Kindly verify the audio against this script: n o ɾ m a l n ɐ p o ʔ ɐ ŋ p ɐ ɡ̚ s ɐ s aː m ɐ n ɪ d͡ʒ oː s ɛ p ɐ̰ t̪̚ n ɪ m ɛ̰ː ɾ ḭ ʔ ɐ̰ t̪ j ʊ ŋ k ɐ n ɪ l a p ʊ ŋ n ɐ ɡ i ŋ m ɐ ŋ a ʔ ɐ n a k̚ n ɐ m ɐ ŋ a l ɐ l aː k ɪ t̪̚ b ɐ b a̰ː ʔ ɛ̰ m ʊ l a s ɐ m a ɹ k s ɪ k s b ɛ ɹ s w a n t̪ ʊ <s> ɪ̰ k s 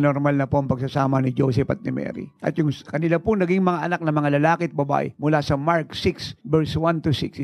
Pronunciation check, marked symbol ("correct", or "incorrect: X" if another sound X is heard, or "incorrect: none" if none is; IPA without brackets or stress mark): correct